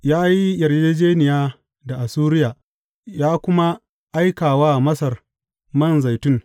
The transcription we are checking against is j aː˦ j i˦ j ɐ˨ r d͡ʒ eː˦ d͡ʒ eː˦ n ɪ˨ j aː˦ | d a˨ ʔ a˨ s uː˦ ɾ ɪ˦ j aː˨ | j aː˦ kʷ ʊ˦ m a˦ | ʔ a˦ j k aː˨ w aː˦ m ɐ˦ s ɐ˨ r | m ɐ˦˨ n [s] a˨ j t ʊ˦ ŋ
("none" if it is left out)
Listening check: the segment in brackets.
z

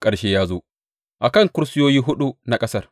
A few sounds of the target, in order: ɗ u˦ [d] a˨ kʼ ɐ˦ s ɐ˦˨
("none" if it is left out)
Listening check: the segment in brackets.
n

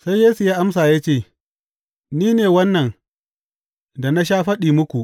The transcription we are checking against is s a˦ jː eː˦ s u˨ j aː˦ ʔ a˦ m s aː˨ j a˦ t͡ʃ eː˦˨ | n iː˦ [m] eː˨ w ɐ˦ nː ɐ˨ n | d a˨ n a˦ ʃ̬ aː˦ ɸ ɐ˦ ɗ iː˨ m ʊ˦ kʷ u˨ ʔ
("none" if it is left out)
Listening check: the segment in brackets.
n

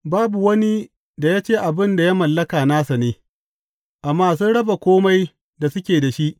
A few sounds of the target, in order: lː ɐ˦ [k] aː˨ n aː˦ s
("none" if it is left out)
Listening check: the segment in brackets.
k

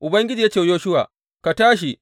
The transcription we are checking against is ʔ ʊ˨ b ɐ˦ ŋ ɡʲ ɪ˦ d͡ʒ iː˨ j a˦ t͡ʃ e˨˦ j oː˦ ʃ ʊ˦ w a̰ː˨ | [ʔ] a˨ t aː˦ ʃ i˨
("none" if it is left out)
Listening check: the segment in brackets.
k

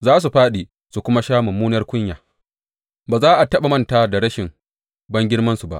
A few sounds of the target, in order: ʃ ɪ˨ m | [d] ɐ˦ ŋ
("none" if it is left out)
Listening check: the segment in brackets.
b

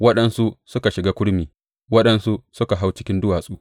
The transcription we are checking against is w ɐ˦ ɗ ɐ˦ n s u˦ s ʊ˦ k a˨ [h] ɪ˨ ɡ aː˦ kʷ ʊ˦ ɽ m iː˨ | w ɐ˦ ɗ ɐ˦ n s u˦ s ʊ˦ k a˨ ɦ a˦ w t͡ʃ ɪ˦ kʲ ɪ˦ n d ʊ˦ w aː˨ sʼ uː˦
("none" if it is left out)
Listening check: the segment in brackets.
ʃ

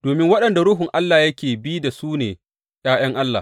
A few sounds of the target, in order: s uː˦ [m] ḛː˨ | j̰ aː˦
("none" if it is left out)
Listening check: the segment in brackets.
n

